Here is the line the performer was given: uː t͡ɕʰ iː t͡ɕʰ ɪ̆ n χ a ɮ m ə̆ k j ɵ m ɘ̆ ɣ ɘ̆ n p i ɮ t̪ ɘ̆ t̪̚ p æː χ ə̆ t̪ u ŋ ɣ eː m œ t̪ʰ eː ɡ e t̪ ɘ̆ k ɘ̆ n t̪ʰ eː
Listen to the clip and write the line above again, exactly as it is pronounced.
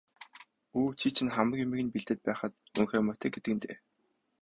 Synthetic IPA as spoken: uː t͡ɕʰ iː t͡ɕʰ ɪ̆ n χ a m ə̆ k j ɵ m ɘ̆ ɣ ɘ̆ n p i ɮ t̪ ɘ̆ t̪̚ p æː χ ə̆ t̪ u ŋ x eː m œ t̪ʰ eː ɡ e t̪ ɘ̆ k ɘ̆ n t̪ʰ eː